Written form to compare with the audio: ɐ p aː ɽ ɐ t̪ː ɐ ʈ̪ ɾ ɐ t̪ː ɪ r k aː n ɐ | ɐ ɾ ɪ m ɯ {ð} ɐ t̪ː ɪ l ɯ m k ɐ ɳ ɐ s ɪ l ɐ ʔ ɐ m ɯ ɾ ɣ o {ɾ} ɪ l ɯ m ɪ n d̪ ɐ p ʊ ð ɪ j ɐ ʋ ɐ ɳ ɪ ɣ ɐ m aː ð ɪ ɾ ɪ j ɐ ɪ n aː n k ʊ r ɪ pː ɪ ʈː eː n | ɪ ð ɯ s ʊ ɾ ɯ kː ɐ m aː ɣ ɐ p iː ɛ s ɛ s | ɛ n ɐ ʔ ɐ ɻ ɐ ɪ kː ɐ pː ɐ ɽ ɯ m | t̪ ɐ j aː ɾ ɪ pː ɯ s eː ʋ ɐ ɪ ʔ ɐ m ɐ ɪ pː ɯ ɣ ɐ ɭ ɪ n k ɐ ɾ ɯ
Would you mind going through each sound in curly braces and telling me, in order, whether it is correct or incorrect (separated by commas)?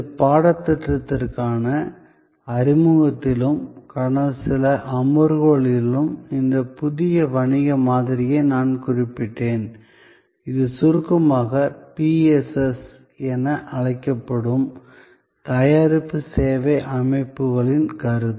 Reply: incorrect, incorrect